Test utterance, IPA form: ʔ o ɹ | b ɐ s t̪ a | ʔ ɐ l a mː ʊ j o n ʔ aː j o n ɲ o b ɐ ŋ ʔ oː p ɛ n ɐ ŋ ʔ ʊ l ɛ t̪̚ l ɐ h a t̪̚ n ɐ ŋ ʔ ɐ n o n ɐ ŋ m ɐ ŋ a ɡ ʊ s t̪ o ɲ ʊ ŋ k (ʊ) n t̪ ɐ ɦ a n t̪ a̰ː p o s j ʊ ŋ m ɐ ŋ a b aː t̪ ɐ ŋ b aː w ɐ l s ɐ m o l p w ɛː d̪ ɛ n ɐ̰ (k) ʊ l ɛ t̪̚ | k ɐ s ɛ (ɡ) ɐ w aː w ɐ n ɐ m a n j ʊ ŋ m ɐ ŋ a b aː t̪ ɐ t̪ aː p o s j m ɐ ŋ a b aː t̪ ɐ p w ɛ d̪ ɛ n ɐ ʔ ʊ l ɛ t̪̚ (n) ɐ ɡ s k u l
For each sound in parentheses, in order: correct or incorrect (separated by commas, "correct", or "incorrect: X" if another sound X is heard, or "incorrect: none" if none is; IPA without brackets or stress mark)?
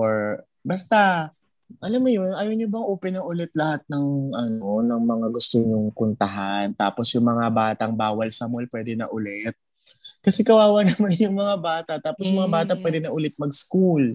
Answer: correct, incorrect: ʔ, incorrect: k, incorrect: m